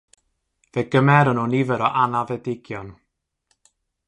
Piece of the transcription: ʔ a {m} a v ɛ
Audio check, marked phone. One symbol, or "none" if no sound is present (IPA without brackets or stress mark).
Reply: n